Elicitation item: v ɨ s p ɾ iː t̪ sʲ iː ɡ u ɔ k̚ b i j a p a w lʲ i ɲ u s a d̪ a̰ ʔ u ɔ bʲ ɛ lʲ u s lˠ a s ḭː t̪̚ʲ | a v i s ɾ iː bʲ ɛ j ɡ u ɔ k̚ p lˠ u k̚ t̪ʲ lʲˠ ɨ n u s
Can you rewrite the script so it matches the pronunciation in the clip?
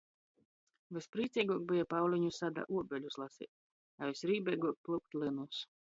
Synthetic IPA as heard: v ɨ s p ɾ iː t̪ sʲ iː ɡ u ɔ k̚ b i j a p a w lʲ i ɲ u s a d̪ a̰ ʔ u ɔ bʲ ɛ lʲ u s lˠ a s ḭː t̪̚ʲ | a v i s ɾ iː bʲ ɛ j ɡ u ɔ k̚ p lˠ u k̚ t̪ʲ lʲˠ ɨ n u s